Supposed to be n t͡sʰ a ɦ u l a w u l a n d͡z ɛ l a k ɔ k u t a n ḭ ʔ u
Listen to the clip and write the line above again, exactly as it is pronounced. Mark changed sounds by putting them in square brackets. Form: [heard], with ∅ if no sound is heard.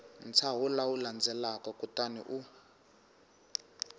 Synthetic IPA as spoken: n t͡sʰ a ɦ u l a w u l a n d͡z ɛ l a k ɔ k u t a n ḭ ʔ u

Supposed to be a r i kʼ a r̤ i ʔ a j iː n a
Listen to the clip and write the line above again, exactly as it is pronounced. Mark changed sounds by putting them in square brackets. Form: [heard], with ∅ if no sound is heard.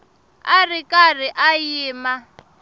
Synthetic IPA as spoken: a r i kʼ a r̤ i ʔ a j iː [m] a

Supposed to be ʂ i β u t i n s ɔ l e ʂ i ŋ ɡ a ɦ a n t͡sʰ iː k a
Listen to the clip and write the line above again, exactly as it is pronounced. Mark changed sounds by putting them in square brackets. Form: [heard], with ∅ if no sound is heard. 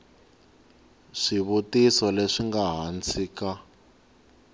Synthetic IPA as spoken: ʂ i β u t i [∅] s ɔ l e ʂ i ŋ ɡ a ɦ a n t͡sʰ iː k a

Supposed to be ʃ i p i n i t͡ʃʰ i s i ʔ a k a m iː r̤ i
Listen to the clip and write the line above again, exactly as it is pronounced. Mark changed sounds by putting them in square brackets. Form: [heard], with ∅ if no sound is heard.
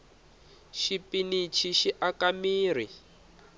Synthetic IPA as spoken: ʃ i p i n i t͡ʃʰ i [ʃ] i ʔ a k a m iː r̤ i

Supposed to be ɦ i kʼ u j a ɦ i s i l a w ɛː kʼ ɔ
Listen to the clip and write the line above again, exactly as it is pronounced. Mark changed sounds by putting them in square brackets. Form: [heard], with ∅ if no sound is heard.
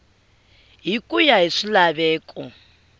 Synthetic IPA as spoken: ɦ i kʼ u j a ɦ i [ʂ] i l a [β] ɛː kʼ ɔ

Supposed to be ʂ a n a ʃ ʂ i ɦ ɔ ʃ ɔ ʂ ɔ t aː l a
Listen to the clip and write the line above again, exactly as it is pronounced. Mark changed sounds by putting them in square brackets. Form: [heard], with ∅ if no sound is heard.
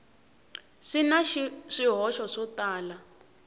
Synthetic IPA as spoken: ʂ [i] n a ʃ ʂ i ɦ ɔ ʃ ɔ ʂ ɔ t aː l a

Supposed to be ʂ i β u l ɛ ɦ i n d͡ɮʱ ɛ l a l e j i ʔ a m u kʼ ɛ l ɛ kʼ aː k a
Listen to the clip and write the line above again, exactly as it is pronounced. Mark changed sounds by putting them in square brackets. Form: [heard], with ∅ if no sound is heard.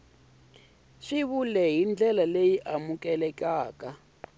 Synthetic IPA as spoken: ʂ i β u l ɛ ɦ i n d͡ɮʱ ɛ l a l e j i ʔ a m u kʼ ɛ l ɛ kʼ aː k a

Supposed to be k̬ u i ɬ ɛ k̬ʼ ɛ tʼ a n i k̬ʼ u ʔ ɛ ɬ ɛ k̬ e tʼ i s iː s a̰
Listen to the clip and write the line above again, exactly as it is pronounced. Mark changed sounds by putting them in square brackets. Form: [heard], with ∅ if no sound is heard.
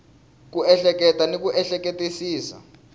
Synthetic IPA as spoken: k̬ u [ɛ] ɬ ɛ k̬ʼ ɛ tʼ a n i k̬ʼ u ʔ ɛ ɬ ɛ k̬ e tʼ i s iː s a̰

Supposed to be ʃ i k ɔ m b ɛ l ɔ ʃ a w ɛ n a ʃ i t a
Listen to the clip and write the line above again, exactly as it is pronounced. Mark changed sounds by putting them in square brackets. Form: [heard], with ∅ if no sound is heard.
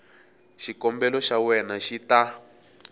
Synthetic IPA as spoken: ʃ i k ɔ m b ɛ l ɔ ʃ a w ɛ n a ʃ i t a

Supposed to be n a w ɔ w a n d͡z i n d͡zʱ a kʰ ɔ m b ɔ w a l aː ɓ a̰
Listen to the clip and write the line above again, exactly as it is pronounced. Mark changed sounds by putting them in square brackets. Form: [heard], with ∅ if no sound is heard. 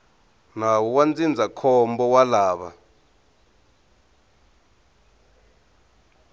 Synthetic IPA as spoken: n a w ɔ w a n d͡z i n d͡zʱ a kʰ ɔ m b ɔ w a l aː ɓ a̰

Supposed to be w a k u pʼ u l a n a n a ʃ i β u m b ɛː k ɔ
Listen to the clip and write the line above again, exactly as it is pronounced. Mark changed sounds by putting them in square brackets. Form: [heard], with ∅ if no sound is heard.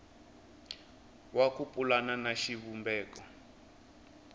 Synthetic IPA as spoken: w a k u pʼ u l a n a n a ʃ i β u m b ɛː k ɔ

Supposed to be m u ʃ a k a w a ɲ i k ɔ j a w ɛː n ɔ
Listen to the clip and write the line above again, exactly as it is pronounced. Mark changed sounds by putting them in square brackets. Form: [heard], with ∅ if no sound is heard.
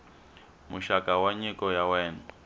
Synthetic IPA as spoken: m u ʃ a k a w a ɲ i k ɔ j a w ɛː n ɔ

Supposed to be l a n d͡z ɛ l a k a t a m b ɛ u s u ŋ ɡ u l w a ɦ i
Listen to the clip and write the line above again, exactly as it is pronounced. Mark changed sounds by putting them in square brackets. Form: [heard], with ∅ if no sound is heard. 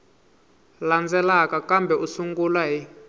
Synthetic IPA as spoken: l a n d͡z ɛ l a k a [k] a m b ɛ u s u ŋ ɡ u l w a ɦ i

